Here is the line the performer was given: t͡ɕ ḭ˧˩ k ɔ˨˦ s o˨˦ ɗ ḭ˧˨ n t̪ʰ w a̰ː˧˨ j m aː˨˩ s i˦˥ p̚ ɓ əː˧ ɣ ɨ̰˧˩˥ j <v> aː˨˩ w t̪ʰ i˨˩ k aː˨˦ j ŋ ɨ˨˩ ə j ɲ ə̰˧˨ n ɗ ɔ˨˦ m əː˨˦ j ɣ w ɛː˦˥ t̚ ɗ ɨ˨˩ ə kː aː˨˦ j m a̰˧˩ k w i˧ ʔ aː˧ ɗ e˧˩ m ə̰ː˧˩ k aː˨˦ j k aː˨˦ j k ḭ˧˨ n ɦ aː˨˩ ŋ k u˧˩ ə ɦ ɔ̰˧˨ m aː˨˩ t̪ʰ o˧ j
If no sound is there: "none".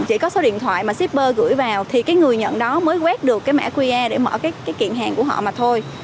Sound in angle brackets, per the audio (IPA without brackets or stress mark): v